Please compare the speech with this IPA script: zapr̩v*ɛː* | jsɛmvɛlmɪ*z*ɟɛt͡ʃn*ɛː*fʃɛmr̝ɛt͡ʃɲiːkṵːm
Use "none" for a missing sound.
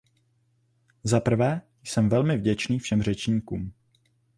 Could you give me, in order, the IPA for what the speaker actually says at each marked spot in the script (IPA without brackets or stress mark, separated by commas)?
ɛː, v, iː